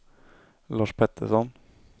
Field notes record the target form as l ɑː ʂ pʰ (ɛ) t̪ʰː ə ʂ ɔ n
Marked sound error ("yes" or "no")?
no